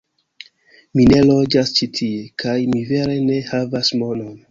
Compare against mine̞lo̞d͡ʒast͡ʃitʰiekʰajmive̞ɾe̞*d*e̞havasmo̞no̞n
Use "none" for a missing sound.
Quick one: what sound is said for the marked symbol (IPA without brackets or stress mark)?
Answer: n